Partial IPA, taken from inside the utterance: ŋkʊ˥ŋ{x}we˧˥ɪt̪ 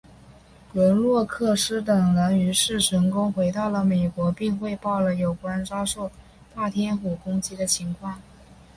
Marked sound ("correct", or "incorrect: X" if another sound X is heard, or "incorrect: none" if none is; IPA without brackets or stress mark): correct